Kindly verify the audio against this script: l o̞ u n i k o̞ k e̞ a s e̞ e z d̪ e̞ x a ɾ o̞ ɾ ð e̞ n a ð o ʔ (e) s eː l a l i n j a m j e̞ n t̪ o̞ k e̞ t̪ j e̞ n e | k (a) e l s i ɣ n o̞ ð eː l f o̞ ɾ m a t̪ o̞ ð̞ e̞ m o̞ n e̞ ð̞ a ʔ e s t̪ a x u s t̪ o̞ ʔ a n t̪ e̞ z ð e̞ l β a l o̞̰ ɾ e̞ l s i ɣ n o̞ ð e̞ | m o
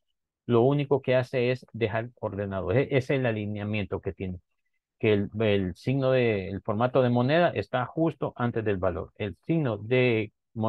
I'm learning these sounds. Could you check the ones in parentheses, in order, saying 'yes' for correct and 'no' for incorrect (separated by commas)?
yes, no